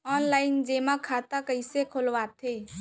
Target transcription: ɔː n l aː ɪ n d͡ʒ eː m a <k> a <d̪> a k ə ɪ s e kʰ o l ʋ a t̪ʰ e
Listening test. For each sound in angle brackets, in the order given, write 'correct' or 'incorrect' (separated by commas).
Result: incorrect, incorrect